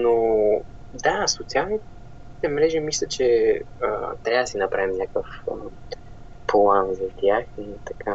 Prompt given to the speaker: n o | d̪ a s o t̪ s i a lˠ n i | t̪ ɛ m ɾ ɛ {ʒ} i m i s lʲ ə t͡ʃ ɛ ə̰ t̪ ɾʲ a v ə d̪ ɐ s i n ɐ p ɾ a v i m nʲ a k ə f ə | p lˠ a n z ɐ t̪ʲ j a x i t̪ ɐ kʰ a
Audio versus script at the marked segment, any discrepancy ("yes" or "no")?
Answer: no